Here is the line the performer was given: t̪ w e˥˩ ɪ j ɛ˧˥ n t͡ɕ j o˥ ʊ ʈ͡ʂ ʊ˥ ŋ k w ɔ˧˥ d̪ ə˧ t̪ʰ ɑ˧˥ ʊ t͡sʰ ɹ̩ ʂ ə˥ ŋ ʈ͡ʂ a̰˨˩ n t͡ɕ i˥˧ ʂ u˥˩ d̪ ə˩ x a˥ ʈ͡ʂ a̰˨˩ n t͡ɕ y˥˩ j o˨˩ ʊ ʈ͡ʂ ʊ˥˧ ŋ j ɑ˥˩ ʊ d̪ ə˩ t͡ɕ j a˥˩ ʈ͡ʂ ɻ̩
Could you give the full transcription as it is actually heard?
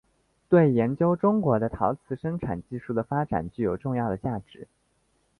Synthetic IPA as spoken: t̪ w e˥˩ ɪ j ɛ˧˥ n t͡ɕ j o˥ ʊ ʈ͡ʂ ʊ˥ ŋ k w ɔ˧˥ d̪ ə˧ t̪ʰ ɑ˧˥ ʊ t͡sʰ ɹ̩ ʂ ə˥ ŋ ʈ͡ʂʰ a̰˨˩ n t͡ɕ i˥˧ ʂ u˥˩ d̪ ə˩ f a˥ ʈ͡ʂ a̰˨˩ n t͡ɕ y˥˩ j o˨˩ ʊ ʈ͡ʂ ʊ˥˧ ŋ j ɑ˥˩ ʊ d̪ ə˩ t͡ɕ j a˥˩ ʈ͡ʂ ɻ̩

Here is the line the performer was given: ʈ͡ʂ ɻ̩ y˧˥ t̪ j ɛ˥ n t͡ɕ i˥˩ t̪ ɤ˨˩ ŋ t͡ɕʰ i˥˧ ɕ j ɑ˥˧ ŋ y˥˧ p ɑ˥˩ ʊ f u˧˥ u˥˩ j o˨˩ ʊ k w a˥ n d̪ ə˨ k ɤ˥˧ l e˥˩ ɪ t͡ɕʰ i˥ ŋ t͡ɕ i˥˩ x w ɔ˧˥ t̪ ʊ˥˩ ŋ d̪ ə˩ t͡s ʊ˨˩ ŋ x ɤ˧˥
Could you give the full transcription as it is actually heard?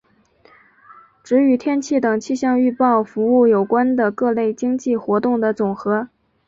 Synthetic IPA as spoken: ʈ͡ʂ ɻ̩ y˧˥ t̪ʰ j ɛ˥ n t͡ɕʰ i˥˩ t̪ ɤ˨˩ ŋ t͡ɕʰ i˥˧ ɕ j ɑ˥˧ ŋ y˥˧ p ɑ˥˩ ʊ f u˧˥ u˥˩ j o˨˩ ʊ k w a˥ n d̪ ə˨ k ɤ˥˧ l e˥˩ ɪ t͡ɕ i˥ ŋ t͡ɕ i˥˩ x w ɔ˧˥ t̪ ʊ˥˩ ŋ d̪ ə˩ t͡s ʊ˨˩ ŋ x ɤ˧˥

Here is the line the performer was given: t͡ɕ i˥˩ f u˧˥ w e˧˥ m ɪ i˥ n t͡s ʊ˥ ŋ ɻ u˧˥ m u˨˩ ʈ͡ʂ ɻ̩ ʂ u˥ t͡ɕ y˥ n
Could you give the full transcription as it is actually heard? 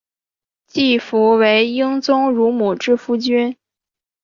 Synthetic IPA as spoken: t͡ɕ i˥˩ f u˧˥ w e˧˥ ɪ i˥ ŋ t͡s ʊ˥ ŋ ɻ u˧˥ m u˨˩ ʈ͡ʂ ɻ̩ f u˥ t͡ɕ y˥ n

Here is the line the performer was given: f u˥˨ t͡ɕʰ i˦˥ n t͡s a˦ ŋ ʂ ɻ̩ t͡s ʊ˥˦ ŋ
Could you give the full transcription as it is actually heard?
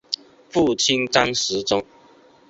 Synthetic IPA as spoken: f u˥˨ t͡ɕʰ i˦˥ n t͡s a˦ ŋ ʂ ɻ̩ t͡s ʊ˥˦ ŋ

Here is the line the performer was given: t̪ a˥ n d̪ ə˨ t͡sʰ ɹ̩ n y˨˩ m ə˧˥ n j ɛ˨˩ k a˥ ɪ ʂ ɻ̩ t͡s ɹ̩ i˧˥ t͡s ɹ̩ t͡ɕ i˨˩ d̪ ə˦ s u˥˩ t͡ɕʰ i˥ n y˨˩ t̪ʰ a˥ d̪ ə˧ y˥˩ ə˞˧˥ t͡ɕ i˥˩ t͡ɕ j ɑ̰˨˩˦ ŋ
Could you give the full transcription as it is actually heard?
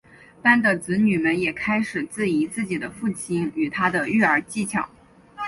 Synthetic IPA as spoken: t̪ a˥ n d̪ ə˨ t͡s ɹ̩ n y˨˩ m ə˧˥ n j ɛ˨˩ kʰ a˥ ɪ ʂ ɻ̩ t͡s ɹ̩ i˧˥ t͡s ɹ̩ t͡ɕ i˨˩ d̪ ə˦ f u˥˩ t͡ɕʰ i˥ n y˨˩ t̪ʰ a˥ d̪ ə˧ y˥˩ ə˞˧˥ t͡ɕ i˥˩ t͡ɕʰ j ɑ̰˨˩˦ ŋ

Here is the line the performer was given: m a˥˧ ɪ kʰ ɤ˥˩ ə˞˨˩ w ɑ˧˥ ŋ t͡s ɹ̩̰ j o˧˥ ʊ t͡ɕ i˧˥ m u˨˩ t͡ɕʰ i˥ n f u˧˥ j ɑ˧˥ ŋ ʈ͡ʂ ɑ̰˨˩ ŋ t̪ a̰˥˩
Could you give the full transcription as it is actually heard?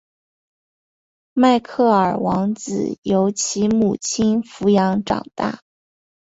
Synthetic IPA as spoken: m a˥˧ ɪ kʰ ɤ˥˩ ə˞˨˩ w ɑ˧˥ ŋ t͡s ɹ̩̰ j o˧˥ ʊ t͡ɕʰ i˧˥ m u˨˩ t͡ɕʰ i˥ n f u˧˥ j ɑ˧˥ ŋ ʈ͡ʂ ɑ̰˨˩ ŋ t̪ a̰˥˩

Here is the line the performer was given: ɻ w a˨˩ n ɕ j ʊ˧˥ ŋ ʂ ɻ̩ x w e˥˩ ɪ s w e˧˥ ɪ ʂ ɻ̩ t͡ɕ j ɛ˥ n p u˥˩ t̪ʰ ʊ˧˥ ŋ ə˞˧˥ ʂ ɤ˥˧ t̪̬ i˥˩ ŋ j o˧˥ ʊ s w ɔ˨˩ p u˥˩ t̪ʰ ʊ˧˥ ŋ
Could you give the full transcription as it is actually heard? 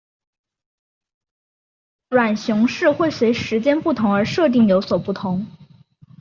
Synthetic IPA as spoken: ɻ w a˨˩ n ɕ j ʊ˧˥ ŋ ʂ ɻ̩ x w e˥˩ ɪ s w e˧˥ ɪ ʂ ɻ̩ t͡ɕ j ɛ˥ n p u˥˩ t̪ʰ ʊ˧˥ ŋ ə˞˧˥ ʂ ɤ˥˧ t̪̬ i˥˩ ŋ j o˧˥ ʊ s w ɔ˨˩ p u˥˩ t̪ʰ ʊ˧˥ ŋ

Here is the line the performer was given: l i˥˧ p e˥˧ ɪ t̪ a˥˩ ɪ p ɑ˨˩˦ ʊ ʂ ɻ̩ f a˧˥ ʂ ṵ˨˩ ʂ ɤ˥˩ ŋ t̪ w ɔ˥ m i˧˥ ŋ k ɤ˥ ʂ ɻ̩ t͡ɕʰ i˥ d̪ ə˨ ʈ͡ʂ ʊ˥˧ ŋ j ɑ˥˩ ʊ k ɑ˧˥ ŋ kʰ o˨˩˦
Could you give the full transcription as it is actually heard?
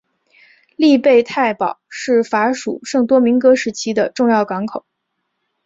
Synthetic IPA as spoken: l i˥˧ p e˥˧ ɪ t̪ʰ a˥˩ ɪ p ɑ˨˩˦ ʊ ʂ ɻ̩ f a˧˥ ʂ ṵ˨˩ ʂ ɤ˥˩ ŋ t̪ w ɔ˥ m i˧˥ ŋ k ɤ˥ ʂ ɻ̩ t͡ɕʰ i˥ d̪ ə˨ ʈ͡ʂ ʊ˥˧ ŋ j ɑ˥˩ ʊ k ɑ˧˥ ŋ kʰ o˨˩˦

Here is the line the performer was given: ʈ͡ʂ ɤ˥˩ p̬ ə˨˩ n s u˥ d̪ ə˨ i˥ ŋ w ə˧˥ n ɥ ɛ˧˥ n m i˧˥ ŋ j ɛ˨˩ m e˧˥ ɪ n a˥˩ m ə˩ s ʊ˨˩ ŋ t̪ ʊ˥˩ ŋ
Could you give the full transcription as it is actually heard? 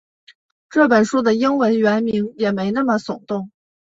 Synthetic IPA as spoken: ʈ͡ʂ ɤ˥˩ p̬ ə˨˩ n ʂ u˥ d̪ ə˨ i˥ ŋ w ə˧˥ n ɥ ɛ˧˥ n m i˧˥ ŋ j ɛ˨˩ m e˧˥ ɪ n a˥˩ m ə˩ s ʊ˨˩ ŋ t̪ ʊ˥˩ ŋ

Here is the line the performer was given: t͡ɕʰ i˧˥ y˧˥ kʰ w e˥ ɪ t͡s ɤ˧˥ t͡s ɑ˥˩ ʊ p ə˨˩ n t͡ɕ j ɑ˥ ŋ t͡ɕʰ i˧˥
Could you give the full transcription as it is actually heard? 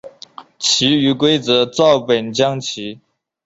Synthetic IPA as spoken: t͡ɕʰ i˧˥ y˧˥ k w e˥ ɪ t͡s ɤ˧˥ t͡s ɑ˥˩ ʊ p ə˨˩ n t͡ɕ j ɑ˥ ŋ t͡ɕʰ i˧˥

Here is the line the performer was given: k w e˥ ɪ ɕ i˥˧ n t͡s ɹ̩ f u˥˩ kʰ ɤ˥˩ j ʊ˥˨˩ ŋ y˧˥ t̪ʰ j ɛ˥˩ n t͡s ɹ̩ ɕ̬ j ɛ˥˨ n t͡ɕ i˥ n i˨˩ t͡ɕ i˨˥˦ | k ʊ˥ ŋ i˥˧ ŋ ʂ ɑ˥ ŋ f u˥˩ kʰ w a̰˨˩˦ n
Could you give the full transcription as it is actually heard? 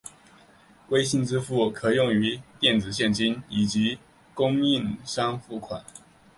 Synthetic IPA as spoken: k w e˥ ɪ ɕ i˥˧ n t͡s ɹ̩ f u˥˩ kʰ ɤ˨˩ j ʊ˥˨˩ ŋ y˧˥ t̪ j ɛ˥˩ n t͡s ɹ̩ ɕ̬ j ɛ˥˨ n t͡ɕ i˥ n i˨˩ t͡ɕ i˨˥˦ | k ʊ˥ ŋ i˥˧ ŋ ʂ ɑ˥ ŋ f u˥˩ kʰ w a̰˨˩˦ n

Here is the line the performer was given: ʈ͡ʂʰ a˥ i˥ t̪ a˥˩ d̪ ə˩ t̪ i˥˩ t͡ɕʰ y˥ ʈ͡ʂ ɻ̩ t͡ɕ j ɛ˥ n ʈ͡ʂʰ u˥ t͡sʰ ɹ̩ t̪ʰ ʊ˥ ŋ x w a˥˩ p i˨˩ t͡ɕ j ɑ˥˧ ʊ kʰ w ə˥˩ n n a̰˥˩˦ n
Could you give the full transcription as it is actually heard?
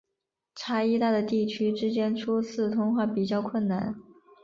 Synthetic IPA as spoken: ʈ͡ʂʰ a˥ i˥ t̪ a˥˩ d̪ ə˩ t̪ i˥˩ t͡ɕʰ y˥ ʈ͡ʂ ɻ̩ t͡ɕ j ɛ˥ n ʈ͡ʂʰ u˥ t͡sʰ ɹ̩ t̪ʰ ʊ˥ ŋ x w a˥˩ p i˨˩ t͡ɕ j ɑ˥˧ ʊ kʰ w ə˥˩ n n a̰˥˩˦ n

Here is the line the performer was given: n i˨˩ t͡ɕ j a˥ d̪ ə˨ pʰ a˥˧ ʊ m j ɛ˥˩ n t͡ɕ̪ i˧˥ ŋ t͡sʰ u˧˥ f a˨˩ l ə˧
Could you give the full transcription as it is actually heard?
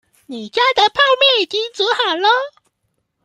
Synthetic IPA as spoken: n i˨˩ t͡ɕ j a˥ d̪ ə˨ pʰ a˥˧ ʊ m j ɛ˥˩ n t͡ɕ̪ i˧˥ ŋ t͡s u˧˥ x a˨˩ l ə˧

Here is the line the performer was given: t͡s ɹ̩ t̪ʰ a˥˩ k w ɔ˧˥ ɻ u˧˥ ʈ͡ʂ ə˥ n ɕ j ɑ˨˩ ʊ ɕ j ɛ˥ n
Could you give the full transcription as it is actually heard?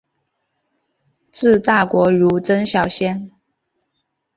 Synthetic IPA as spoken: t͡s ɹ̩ t̪ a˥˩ k w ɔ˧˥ ɻ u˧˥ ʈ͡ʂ ə˥ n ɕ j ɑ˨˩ ʊ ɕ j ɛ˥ n

